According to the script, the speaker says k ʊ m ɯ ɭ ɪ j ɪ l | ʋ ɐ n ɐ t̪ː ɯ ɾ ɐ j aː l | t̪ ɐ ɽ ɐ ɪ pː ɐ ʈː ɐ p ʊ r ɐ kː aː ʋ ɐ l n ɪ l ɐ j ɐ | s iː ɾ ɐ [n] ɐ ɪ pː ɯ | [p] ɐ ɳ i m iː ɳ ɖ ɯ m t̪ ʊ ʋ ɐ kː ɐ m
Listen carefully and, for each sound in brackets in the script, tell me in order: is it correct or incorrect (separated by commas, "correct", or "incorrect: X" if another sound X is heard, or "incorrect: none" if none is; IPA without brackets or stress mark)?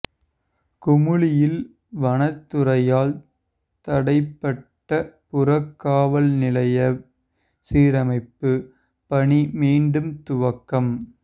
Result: incorrect: m, correct